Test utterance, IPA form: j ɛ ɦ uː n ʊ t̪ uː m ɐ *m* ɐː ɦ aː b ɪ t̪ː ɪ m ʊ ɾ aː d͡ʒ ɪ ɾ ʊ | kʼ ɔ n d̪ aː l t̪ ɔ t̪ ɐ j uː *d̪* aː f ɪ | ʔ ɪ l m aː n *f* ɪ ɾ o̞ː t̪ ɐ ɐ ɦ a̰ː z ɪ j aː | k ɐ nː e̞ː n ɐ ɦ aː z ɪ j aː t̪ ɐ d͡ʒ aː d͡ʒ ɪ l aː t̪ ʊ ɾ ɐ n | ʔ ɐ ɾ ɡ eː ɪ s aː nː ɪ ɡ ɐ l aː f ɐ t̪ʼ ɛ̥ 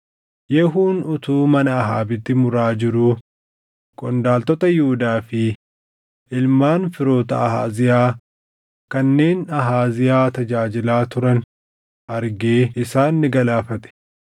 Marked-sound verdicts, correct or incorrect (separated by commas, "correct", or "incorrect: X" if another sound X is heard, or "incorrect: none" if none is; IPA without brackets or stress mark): incorrect: n, correct, correct